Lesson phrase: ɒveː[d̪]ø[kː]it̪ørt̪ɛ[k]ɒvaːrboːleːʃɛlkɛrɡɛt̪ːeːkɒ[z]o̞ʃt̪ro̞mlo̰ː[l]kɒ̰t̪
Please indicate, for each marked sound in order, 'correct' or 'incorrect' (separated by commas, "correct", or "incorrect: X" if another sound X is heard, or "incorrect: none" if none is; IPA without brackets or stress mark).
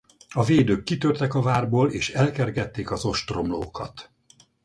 correct, correct, correct, correct, incorrect: none